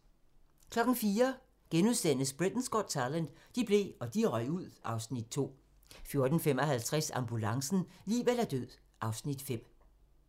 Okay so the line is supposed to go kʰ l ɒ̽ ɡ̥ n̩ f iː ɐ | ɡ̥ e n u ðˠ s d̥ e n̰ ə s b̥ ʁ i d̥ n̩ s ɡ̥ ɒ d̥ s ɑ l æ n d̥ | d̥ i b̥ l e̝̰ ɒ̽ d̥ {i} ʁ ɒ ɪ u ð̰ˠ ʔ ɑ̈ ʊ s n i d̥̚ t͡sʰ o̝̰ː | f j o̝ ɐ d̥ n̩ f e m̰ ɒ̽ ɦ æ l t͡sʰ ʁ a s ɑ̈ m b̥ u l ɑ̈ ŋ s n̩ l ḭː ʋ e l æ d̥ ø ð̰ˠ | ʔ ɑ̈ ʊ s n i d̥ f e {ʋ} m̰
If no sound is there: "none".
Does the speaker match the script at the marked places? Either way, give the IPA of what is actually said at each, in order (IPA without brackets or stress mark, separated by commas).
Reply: i, none